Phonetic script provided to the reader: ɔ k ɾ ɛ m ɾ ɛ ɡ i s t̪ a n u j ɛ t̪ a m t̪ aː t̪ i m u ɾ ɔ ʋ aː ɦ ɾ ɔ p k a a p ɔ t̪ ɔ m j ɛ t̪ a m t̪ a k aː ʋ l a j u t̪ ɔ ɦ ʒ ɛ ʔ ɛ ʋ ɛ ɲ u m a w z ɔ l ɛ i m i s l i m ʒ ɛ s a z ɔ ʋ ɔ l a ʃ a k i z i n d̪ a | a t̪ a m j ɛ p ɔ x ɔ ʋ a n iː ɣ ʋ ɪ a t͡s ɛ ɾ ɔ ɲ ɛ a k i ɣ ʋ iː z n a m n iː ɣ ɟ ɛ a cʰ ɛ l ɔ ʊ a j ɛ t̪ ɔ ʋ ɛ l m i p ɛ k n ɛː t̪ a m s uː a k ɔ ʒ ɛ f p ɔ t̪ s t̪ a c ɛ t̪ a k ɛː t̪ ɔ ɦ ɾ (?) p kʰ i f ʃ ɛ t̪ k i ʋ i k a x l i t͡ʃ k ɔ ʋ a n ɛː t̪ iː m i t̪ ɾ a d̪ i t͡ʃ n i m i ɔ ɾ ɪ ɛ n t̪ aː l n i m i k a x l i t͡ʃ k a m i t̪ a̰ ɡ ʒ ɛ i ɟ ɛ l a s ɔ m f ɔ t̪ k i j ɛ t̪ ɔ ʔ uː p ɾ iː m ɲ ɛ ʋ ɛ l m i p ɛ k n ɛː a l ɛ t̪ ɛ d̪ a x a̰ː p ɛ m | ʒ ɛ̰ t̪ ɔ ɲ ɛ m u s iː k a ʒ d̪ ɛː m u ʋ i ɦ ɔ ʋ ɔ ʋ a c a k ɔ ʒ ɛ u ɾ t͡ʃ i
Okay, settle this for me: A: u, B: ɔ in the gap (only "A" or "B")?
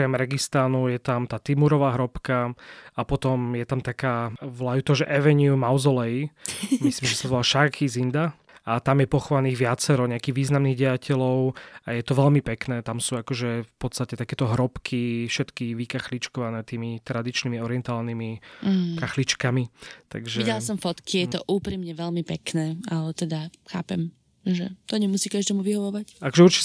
B